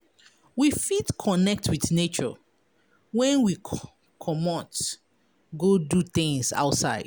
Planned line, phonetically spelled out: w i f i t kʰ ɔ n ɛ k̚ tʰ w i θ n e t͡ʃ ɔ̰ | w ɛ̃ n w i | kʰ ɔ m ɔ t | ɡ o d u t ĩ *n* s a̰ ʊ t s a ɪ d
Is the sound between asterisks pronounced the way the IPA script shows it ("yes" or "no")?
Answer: no